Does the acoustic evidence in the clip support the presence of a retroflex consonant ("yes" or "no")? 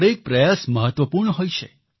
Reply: yes